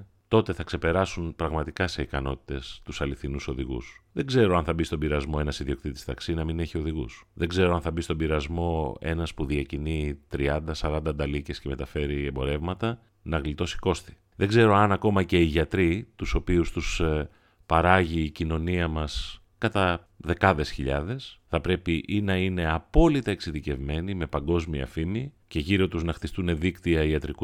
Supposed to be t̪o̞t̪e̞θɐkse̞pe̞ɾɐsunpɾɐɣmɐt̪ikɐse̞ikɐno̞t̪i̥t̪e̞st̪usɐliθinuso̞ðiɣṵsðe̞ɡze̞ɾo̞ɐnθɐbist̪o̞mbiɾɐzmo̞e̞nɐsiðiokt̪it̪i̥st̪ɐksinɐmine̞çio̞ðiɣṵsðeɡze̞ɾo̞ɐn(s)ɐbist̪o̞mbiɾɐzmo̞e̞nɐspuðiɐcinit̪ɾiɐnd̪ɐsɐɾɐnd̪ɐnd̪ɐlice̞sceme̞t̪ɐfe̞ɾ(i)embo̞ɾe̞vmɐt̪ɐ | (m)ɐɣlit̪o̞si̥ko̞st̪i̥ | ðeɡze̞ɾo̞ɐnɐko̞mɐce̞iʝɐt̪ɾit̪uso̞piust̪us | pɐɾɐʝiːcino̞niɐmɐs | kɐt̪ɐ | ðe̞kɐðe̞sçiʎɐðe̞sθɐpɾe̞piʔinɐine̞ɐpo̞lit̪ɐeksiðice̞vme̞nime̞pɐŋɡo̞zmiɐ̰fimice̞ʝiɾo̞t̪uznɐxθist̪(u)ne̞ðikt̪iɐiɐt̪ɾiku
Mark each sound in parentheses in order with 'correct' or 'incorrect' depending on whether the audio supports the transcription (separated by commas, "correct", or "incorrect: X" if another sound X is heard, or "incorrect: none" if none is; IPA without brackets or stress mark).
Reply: incorrect: θ, correct, incorrect: n, correct